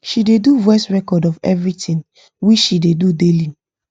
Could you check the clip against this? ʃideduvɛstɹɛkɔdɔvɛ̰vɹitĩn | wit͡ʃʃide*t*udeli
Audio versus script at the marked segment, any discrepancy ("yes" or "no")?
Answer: yes